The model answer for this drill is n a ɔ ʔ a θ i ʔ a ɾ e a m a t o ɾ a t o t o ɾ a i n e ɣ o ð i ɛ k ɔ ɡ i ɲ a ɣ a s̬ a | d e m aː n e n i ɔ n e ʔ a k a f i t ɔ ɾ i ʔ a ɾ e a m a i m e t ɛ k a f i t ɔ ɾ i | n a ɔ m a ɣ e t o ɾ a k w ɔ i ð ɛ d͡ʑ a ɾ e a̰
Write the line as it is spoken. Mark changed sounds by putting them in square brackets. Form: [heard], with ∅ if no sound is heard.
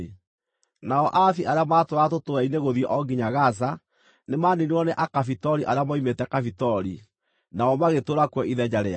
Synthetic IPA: n a ɔ ʔ a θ i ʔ a ɾ e a m a t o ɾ a t o t o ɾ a i n e ɣ o ð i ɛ [ʔ] ɔ ɡ i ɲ a ɣ a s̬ a | [n] e m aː n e n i ɔ n e ʔ a k a f i t ɔ ɾ i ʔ a ɾ e a m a i m e t ɛ k a f i t ɔ ɾ i | n a ɔ m a ɣ e t o ɾ a k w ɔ i ð ɛ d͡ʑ a ɾ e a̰